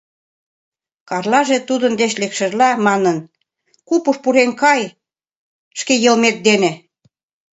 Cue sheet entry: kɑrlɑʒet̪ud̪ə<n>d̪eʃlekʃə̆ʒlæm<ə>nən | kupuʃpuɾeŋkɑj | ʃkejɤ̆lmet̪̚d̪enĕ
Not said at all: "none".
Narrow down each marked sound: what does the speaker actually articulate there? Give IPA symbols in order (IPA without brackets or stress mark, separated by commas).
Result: n, ɑ